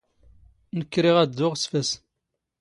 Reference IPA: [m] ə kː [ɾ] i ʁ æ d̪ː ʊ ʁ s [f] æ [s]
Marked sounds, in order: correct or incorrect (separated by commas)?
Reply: incorrect, correct, correct, correct